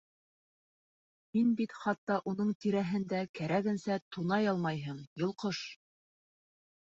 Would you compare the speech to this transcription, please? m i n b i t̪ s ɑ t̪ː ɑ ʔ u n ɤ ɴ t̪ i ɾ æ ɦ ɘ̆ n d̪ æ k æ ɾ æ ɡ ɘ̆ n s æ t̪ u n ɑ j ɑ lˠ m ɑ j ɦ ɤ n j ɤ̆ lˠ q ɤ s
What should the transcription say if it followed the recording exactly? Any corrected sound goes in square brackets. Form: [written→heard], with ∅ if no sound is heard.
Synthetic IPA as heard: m i n b i t̪ [s→χ] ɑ t̪ː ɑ ʔ u n ɤ ɴ t̪ i ɾ æ ɦ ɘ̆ n d̪ æ k æ ɾ æ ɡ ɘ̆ n s æ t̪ u n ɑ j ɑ lˠ m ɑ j ɦ ɤ [n→ɴ] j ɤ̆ lˠ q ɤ [s→ʃ]